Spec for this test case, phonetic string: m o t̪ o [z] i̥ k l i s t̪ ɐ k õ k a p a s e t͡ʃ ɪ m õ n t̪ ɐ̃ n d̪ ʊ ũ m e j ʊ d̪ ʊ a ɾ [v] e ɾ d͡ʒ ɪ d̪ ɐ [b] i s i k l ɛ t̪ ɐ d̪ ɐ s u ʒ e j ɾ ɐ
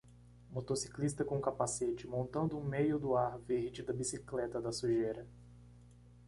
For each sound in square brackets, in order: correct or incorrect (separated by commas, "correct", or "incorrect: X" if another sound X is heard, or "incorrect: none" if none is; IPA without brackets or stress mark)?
incorrect: s, correct, correct